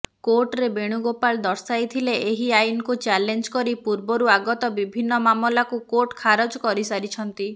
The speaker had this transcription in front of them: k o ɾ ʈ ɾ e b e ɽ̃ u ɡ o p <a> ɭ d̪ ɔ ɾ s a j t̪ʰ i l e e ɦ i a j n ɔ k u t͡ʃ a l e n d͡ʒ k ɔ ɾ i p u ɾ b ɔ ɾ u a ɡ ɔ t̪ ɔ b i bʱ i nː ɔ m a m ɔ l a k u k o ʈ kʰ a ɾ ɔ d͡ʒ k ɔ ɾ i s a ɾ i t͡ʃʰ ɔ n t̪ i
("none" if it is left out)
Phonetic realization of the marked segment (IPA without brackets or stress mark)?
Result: a